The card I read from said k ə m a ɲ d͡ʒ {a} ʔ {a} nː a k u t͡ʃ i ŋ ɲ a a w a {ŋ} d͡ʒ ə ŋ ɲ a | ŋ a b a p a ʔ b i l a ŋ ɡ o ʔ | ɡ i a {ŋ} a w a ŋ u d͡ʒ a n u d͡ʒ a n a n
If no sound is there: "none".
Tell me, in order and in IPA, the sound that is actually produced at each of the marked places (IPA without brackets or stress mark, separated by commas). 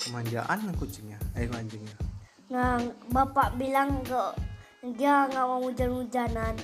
a, a, ɲ, ŋ